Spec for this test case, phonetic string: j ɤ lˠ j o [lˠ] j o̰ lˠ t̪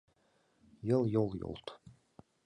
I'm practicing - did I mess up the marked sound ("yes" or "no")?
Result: no